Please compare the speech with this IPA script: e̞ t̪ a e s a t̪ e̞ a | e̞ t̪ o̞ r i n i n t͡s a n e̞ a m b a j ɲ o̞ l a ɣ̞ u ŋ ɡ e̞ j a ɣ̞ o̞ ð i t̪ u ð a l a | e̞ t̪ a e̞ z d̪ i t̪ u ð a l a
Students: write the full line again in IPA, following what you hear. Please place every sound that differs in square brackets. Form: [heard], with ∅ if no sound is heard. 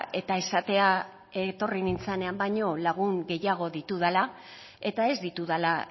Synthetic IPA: e̞ t̪ a e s a t̪ e̞ a | e̞ t̪ o̞ r i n i n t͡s a n e̞ a m b a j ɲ o̞ l a ɣ̞ u ŋ ɡ e̞ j a ɣ̞ o̞ ð i t̪ u ð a l a | e̞ t̪ a e̞ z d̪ i t̪ u ð a l a